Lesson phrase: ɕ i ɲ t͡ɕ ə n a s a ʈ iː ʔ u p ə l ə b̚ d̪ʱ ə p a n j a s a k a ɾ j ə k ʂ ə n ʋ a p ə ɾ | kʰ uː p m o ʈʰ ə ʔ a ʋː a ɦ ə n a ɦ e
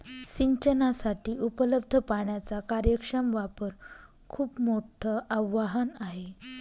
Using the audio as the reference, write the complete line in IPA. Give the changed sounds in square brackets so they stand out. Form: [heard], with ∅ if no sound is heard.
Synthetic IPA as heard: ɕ i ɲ t͡ɕ ə n a s a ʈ iː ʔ u p ə l ə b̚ d̪ʱ ə p a [ɳ] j a [t͡s] a k a ɾ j ə k ʂ ə [m] ʋ a p ə ɾ | kʰ uː p m o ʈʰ ə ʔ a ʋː a ɦ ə n a ɦ e